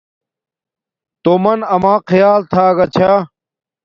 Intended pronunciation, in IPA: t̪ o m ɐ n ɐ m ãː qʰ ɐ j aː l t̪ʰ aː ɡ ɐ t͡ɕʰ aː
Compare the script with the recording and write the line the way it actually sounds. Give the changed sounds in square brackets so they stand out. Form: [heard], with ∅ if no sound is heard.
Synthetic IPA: t̪ o m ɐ n ɐ m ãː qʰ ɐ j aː l t̪ʰ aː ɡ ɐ t͡ɕʰ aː